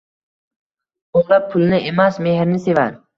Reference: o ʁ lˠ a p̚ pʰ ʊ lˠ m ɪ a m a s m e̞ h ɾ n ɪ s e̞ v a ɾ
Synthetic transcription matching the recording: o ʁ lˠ a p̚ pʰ ʊ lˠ n ɪ e m a s m e̞ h ɾ n ɪ s e̞ v a ɾ

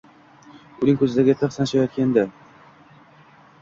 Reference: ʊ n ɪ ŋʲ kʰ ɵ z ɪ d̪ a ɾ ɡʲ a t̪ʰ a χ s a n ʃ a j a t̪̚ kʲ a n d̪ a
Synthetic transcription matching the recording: ʊ n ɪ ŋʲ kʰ ɵ z ɪ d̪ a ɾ ɡʲ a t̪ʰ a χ s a n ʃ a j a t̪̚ kʲ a n d̪ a

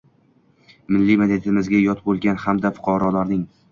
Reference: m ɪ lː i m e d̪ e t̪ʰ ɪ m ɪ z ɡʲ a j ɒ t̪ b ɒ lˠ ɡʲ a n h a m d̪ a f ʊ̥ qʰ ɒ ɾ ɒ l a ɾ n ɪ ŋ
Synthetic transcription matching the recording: m ɪ lː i m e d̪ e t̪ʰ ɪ m ɪ z ɡʲ a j ɒ t̪ b o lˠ ɡʲ a n h a m d̪ a f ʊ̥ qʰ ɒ ɾ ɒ l a ɾ n ɪ ŋ

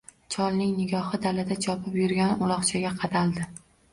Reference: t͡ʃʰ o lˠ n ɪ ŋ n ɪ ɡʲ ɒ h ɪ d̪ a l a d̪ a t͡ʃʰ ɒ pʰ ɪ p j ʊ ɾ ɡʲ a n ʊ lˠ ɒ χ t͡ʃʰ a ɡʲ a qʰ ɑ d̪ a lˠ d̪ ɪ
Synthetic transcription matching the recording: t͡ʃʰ ɒ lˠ n ɪ ŋ n ɪ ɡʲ ɒ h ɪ d̪ a l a d̪ a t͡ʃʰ ɒ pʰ ɪ p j ʊ ɾ ɡʲ a n ʊ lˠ ɒ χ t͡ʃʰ a ɡʲ a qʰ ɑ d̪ a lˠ d̪ ɪ

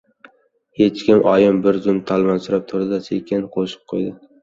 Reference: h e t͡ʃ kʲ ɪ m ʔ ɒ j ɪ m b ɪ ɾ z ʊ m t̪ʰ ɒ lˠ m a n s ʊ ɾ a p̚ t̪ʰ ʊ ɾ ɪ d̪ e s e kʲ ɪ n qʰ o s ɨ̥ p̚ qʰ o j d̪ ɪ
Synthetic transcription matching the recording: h e t͡ʃ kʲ ɪ m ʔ ɒ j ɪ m b ɪ ɾ z ʊ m t̪ʰ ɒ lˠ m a n s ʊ ɾ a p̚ t̪ʰ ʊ ɾ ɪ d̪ a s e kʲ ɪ n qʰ o ʃ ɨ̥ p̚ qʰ o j d̪ ɪ

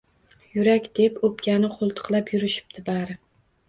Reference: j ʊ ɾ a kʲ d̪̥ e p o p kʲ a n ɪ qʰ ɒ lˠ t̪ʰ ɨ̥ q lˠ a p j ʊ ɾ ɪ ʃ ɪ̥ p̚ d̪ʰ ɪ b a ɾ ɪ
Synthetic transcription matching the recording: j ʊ ɾ a kʲ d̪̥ e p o p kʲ a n ɪ qʰ o lˠ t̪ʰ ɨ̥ q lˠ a p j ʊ ɾ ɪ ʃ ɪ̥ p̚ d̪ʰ ɪ b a ɾ ɪ

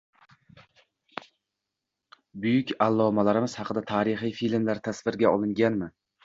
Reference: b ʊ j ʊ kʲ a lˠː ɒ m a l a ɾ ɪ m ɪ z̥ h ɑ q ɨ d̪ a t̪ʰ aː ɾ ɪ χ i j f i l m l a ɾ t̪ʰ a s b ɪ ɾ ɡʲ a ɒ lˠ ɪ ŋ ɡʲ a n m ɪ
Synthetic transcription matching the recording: b ʊ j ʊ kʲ a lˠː ɒ m a l a ɾ ɪ m ɪ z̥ h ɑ q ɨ d̪ a t̪ʰ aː ɾ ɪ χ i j f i l m l a ɾ t̪ʰ a s v ɪ ɾ ɡʲ a ɒ lˠ ɪ ŋ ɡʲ a n m ɪ

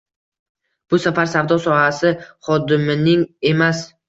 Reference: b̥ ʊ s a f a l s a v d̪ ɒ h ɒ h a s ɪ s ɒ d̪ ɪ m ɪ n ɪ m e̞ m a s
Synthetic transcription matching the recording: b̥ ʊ s a f a ɾ s a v d̪ ɒ s ɒ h a s ɪ χ ɒ d̪ ɪ m ɪ n ɪ ŋ e̞ m a s

